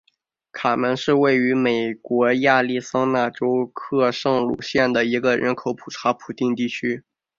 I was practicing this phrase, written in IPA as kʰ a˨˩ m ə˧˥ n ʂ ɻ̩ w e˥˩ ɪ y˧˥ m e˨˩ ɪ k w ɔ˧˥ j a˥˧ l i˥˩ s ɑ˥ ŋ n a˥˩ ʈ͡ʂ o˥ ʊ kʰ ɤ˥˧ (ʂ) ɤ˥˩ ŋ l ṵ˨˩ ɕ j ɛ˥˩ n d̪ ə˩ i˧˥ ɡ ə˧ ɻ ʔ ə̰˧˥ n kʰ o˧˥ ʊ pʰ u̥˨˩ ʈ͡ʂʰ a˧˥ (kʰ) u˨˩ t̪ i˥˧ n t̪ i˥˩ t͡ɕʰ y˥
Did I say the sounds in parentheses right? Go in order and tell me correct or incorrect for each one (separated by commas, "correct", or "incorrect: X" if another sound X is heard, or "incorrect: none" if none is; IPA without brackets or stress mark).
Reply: correct, incorrect: pʰ